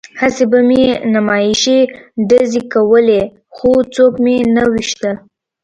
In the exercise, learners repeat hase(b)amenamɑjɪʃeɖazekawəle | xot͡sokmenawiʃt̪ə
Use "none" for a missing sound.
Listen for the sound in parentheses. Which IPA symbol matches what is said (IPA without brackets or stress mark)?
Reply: b